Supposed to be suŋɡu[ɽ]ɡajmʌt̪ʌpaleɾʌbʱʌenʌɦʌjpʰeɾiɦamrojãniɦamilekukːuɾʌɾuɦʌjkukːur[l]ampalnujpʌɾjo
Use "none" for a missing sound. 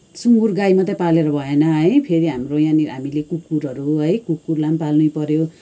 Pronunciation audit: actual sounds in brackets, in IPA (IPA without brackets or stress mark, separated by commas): r, l